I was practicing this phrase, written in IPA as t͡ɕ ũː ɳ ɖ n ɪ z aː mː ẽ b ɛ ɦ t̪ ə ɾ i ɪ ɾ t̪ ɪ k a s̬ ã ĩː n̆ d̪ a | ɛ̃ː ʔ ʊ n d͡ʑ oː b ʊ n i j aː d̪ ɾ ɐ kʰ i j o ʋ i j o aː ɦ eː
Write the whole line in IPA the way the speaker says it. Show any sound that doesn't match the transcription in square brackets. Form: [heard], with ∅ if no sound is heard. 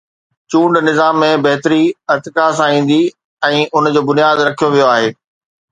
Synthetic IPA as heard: t͡ɕ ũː ɳ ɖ n ɪ z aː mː ẽ b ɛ ɦ t̪ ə ɾ i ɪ ɾ t̪ ɪ k a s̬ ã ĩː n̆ d̪ [i] | ɛ̃ː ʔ ʊ n d͡ʑ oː b ʊ n i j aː d̪ ɾ ɐ kʰ i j o ʋ i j o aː ɦ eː